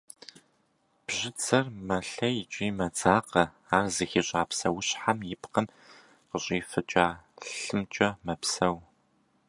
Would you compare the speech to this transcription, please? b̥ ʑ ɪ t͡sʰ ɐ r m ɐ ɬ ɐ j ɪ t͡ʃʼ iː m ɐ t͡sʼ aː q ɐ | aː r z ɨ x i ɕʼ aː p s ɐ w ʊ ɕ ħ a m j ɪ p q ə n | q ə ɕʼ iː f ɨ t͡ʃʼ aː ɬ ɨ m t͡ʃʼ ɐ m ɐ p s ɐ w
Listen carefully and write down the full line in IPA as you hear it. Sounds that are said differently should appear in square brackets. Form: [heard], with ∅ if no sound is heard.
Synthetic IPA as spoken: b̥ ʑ ɪ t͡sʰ ɐ r m ɐ ɬ ɐ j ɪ t͡ʃʼ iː m ɐ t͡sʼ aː q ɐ | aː r z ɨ x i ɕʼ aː p s ɐ w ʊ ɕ ħ a m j ɪ p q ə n | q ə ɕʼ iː f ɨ t͡ʃʼ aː ɬ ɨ m t͡ʃʼ ɐ m ɐ p s ɐ w